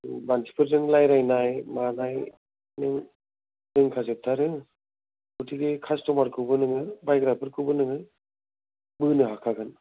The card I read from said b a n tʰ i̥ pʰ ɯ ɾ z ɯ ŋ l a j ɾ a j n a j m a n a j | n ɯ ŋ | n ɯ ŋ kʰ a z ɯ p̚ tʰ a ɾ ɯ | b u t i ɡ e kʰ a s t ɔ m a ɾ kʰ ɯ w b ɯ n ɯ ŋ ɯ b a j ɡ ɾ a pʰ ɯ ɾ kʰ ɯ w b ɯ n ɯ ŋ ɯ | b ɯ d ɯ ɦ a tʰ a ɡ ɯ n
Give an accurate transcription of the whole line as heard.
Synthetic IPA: b a n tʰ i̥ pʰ ɯ ɾ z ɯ ŋ l a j ɾ a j n a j m a n a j | n ɯ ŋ | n ɯ ŋ kʰ a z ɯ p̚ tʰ a ɾ ɯ | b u t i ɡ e kʰ a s t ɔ m a ɾ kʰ ɯ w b ɯ n ɯ ŋ ɯ b a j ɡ ɾ a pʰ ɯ ɾ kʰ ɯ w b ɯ n ɯ ŋ ɯ | b ɯ n ɯ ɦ a kʰ a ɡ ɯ n